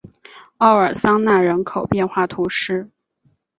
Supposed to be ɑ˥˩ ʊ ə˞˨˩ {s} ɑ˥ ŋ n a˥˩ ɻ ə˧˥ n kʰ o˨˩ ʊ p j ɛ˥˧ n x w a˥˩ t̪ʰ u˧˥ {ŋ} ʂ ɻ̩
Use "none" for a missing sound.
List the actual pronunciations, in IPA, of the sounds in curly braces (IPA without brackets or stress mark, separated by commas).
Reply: s, none